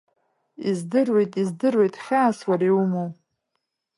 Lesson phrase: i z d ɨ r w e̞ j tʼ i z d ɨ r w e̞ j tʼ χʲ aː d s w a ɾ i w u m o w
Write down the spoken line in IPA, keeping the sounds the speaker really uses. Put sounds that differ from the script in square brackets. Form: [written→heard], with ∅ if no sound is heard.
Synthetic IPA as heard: i z d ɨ r w e̞ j tʼ i z d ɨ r w e̞ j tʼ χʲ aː [d→∅] s w a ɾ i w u m o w